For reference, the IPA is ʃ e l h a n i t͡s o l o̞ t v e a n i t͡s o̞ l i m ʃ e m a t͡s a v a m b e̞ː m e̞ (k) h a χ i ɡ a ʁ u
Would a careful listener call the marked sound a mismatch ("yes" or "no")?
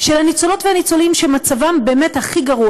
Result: yes